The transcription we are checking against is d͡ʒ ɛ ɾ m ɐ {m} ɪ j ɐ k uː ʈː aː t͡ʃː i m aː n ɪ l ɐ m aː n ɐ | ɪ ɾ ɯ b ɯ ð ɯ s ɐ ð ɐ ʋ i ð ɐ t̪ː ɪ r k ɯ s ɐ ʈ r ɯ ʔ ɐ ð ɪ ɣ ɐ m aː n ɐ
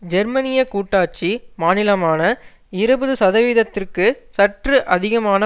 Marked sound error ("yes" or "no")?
yes